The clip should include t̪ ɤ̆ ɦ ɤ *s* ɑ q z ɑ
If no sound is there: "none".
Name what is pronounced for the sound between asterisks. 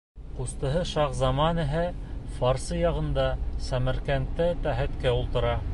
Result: ʃ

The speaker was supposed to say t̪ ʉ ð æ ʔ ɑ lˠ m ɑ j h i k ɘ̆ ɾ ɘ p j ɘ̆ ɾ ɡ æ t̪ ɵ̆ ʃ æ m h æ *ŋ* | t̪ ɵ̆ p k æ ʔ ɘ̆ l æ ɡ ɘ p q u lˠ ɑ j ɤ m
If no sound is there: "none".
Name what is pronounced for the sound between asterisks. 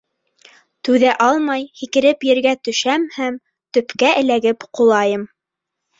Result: m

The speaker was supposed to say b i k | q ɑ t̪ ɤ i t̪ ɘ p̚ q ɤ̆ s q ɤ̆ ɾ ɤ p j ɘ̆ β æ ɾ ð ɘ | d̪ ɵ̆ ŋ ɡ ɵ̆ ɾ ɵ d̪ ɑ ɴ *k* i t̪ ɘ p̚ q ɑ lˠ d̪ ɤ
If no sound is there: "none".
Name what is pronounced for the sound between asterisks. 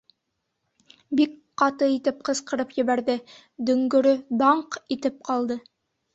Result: q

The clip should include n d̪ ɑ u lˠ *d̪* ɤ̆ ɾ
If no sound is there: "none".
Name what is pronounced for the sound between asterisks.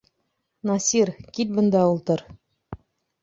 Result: t̪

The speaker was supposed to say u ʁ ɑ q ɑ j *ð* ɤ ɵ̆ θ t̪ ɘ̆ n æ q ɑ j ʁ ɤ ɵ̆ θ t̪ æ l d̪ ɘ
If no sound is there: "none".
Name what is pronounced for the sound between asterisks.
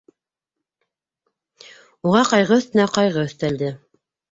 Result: ʁ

